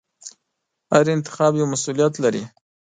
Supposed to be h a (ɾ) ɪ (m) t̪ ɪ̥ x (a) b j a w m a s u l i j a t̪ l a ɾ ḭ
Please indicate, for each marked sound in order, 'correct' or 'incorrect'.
correct, incorrect, incorrect

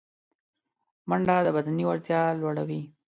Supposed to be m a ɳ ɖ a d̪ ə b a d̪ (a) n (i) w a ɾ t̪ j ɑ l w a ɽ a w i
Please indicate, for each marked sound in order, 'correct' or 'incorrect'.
correct, correct

